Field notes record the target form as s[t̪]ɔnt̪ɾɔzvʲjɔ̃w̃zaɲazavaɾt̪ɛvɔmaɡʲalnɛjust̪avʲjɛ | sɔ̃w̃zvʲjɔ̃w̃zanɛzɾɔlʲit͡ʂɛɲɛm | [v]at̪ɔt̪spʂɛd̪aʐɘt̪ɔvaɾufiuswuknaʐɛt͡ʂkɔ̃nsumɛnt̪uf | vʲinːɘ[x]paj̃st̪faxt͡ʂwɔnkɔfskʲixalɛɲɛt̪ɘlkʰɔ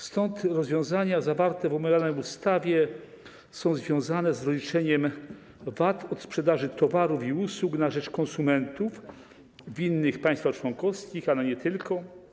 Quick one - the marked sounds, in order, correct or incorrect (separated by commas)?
correct, correct, correct